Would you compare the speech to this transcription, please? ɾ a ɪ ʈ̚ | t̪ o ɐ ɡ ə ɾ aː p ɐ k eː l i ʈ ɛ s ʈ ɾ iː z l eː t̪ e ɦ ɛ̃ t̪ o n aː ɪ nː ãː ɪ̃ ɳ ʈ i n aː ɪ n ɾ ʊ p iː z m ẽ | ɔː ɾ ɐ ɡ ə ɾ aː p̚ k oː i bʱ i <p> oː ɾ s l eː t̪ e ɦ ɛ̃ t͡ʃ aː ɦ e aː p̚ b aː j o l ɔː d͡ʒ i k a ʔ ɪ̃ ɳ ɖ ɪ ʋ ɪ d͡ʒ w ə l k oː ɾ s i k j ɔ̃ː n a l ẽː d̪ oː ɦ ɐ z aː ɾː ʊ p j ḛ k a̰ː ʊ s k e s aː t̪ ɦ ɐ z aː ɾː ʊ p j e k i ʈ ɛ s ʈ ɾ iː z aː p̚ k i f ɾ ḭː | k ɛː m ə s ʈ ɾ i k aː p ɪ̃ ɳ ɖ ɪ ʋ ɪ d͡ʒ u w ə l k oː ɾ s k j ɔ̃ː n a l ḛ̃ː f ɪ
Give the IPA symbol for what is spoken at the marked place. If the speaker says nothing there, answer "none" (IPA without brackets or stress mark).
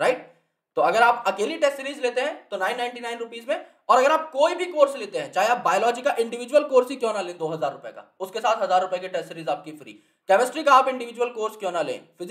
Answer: k